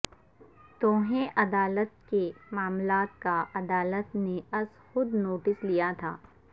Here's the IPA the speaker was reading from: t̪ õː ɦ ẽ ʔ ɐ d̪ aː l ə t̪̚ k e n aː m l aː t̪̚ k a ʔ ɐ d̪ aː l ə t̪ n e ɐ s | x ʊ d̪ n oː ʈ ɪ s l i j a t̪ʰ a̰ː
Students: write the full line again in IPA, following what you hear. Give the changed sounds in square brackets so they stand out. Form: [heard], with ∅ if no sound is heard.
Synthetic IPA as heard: t̪ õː ɦ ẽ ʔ ɐ d̪ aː l ə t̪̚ k e [m] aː m l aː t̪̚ k a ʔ ɐ d̪ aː l ə t̪ n e ɐ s | x ʊ d̪ n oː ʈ ɪ s l i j a t̪ʰ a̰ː